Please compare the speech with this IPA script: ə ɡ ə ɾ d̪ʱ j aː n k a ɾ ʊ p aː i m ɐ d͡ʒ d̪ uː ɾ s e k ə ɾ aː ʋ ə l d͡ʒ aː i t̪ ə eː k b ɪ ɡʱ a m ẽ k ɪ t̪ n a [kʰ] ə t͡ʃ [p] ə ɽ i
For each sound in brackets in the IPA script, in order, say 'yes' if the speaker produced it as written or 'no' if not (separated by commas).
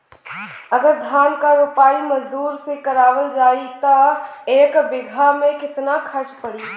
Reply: yes, yes